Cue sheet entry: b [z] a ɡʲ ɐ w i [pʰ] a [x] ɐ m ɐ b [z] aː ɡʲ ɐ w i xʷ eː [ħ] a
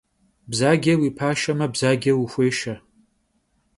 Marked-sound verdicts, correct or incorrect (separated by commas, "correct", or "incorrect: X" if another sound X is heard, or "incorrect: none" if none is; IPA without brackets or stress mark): correct, correct, incorrect: ʃ, correct, incorrect: ʃ